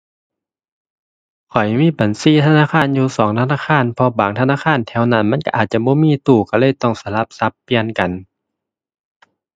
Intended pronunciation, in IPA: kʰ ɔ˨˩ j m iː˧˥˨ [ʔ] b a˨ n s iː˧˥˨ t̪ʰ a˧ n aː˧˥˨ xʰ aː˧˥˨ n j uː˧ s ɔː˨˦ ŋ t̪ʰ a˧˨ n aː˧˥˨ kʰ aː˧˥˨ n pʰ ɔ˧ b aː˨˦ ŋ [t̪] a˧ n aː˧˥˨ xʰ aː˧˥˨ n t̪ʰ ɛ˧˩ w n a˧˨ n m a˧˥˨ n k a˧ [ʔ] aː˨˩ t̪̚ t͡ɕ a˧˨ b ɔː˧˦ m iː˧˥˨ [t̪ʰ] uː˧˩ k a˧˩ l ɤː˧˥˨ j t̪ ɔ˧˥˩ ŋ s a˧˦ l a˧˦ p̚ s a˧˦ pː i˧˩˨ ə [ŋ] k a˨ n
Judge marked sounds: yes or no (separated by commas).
no, no, yes, no, no